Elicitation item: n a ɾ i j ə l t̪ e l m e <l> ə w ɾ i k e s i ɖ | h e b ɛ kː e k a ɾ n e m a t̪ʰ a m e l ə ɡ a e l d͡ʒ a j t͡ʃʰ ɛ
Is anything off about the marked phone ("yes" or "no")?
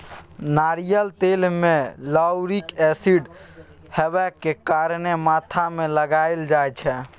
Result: no